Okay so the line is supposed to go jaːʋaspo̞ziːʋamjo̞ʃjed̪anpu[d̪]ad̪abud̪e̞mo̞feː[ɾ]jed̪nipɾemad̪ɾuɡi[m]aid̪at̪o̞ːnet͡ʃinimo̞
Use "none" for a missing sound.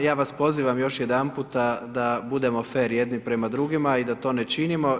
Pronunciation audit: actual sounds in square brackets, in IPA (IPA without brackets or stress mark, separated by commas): t̪, ɾ, m